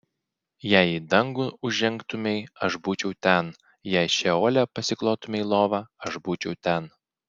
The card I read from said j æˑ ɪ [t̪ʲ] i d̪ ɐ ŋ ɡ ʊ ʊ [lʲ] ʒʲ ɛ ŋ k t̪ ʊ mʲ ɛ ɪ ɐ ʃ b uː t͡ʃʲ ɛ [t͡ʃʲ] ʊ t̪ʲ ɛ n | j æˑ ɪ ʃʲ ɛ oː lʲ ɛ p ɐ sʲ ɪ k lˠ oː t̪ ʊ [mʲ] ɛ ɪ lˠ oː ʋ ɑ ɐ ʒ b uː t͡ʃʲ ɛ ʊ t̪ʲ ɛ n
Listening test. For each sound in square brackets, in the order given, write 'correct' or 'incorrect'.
incorrect: none, incorrect: none, incorrect: none, correct

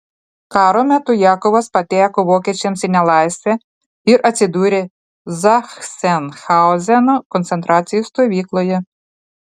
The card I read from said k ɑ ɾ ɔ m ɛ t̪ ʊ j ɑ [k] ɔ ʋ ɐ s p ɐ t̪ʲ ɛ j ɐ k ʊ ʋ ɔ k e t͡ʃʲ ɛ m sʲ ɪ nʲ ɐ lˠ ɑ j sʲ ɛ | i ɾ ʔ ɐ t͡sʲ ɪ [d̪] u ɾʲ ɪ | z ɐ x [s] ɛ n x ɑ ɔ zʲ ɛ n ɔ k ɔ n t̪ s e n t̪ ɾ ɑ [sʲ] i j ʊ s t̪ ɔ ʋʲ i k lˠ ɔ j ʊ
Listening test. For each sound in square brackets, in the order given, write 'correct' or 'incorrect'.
correct, correct, correct, incorrect: t͡sʲ

